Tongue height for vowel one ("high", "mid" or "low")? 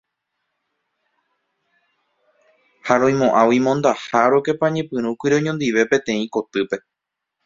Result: low